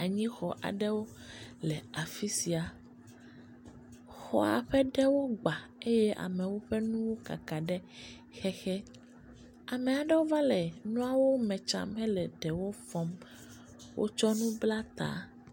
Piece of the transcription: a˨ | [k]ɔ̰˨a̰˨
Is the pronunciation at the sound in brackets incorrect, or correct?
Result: incorrect